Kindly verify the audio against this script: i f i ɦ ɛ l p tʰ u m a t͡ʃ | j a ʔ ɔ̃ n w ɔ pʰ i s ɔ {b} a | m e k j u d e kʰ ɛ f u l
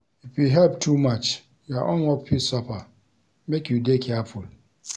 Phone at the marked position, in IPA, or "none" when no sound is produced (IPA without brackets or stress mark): p